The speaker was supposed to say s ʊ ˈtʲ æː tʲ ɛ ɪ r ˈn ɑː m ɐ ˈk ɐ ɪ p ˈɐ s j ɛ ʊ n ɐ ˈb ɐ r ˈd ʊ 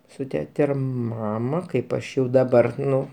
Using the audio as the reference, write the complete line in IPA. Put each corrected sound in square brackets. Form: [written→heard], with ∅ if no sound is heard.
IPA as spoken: s ʊ ˈtʲ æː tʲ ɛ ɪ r [ˈn→ˈm] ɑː m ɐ ˈk ɐ ɪ p ˈɐ [s→ʃ] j ɛ ʊ [n→d] ɐ ˈb ɐ r [ˈd→ˈn] ʊ